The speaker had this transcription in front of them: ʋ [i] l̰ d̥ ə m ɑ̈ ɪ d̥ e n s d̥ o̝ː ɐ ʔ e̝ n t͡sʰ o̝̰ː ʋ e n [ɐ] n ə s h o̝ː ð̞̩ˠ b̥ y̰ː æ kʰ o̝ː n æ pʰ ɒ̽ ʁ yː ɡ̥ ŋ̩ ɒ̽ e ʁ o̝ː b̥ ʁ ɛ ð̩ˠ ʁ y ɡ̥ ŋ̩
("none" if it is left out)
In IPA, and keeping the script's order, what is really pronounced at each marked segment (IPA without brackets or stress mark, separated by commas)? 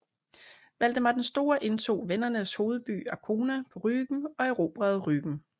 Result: æ, ɐ